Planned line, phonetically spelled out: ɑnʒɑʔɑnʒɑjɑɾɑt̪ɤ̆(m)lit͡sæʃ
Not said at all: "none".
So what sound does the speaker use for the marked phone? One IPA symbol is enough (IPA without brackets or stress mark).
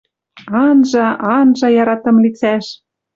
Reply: m